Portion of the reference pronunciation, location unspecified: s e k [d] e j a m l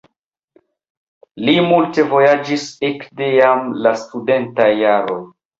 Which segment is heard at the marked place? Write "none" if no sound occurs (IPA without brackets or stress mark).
d